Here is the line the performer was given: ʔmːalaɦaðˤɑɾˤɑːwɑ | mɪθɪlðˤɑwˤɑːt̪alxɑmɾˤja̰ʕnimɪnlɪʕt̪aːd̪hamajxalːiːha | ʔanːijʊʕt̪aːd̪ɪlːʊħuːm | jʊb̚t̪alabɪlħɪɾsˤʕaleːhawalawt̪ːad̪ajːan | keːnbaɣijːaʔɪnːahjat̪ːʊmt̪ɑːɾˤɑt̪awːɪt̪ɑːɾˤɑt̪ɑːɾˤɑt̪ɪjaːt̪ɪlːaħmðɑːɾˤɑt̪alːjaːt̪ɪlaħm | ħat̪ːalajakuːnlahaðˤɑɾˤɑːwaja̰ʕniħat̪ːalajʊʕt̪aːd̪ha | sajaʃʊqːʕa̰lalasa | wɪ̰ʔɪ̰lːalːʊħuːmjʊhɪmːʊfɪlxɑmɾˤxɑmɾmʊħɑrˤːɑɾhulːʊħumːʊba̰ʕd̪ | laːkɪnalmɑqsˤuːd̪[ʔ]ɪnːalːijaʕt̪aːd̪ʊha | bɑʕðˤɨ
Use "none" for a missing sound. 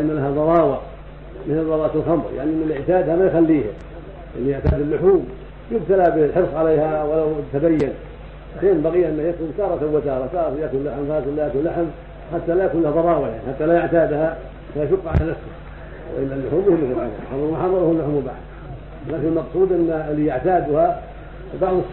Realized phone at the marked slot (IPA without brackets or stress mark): ʔ